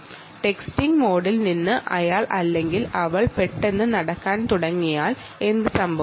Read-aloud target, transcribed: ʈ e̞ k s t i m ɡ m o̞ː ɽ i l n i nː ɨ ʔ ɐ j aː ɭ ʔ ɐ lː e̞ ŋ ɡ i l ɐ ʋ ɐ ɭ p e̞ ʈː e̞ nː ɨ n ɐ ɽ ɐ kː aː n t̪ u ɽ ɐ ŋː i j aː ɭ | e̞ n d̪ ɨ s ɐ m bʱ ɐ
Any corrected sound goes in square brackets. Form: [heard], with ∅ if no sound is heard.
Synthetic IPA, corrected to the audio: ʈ e̞ k s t i [ŋ] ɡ m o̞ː ɽ i l n i nː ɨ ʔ ɐ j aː ɭ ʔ ɐ lː e̞ ŋ ɡ i l ɐ ʋ ɐ ɭ p e̞ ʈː e̞ nː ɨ n ɐ ɽ ɐ kː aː n t̪ u ɽ ɐ ŋː i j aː ɭ | e̞ n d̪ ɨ s ɐ m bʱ ɐ